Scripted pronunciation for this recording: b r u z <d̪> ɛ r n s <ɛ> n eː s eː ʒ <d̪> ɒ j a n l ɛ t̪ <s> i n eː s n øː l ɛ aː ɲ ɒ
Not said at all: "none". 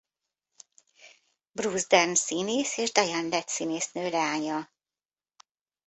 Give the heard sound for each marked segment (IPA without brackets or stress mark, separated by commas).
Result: d̪, i, d̪, s